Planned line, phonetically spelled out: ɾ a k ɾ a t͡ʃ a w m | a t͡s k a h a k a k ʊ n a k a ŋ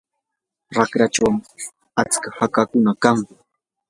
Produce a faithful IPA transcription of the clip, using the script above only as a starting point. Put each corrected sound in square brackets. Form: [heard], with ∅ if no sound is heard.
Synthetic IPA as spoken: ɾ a k ɾ a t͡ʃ a w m | a t͡s k a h a k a k ʊ n a k a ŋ